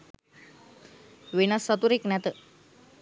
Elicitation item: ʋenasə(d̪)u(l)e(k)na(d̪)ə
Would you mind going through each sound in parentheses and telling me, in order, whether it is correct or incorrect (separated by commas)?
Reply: incorrect, incorrect, correct, incorrect